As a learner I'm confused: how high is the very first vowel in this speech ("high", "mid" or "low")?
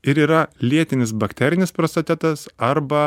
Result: high